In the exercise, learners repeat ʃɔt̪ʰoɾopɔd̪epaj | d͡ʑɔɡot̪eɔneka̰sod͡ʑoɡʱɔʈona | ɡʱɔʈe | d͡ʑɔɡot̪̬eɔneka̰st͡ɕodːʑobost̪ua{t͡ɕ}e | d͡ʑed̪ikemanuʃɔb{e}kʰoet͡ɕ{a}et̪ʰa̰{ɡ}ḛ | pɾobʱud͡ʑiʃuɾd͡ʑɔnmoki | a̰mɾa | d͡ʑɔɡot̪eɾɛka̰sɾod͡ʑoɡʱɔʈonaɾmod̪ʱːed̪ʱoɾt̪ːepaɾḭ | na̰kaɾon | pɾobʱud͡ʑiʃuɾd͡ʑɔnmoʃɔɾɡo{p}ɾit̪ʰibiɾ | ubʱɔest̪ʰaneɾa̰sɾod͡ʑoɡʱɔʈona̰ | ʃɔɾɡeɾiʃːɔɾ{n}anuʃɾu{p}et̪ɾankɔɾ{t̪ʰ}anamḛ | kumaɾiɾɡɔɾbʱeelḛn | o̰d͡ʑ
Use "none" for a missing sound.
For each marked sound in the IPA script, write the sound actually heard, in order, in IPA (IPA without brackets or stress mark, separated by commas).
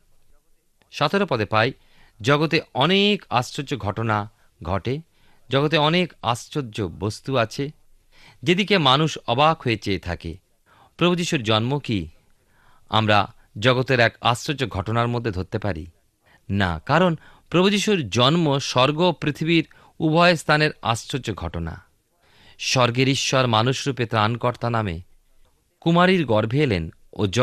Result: t͡ɕʰ, a, e, k, p, m, p, t̪